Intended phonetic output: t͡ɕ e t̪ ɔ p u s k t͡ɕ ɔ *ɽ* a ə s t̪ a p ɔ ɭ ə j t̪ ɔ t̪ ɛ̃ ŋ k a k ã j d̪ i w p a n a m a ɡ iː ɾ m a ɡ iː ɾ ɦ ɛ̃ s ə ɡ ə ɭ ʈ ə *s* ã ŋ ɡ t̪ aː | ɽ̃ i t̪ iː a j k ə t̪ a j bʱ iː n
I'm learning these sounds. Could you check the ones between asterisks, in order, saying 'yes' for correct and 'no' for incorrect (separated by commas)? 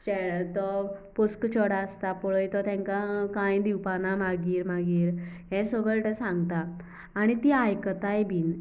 yes, yes